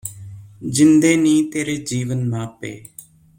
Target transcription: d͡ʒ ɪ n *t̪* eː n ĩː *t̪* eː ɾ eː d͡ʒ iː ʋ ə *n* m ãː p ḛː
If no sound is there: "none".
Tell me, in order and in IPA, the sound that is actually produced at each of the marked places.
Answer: d̪, t̪, n

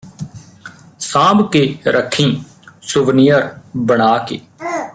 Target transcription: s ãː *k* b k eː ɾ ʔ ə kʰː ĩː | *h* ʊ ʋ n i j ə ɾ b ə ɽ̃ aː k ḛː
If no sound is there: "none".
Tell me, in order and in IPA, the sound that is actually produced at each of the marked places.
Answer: none, s

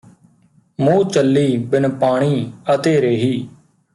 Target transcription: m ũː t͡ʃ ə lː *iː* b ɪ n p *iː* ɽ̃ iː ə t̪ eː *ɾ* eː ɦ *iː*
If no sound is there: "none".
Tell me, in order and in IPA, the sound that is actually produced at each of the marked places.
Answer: iː, aː, ɾ, iː

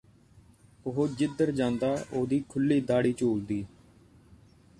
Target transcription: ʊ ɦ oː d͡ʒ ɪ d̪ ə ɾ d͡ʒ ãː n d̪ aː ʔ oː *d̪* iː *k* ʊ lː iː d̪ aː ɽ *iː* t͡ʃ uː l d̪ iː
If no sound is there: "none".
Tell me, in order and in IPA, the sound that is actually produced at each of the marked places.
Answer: d̪, kʰ, iː

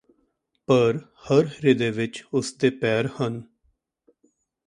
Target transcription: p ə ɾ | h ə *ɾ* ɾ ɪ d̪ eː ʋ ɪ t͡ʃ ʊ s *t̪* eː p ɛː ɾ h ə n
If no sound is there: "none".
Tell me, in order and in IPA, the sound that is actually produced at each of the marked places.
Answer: ɾ, d̪

